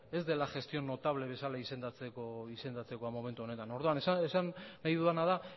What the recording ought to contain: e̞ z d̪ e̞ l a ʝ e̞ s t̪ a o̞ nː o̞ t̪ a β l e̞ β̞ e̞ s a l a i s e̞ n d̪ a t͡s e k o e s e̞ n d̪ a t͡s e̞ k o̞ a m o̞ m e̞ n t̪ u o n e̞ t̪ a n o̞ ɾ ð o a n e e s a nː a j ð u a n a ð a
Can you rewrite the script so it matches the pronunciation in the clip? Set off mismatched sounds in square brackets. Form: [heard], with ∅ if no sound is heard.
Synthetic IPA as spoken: e̞ z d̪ e̞ l a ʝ e̞ s t̪ [i] o̞ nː o̞ t̪ a β l e̞ β̞ e̞ s a l a i s e̞ n d̪ a t͡s e k o [i] s e̞ n d̪ a t͡s e̞ k o̞ a m o̞ m e̞ n t̪ u o n e̞ t̪ a n o̞ ɾ ð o a n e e s a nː a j ð u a n a ð a